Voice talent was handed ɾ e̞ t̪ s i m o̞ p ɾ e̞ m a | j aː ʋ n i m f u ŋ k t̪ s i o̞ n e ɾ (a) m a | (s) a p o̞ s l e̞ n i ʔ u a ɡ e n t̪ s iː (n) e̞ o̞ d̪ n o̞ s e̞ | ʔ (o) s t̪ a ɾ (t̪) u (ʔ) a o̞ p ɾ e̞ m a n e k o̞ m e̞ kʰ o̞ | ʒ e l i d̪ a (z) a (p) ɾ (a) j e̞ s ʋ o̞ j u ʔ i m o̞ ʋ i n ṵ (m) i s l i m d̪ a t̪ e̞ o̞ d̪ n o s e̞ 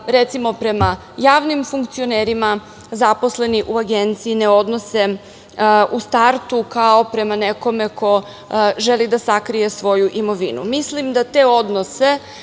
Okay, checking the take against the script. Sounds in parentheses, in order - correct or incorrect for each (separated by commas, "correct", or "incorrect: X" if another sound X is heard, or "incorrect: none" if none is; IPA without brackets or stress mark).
incorrect: i, incorrect: z, correct, incorrect: u, correct, incorrect: k, incorrect: s, incorrect: k, incorrect: i, correct